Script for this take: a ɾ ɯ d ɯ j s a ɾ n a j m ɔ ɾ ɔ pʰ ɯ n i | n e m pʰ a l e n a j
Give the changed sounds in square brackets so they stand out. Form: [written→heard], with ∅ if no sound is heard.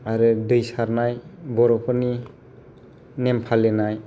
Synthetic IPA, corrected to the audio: a ɾ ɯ d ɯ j s a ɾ n a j [m→b] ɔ ɾ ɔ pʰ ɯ n i | n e m pʰ a l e n a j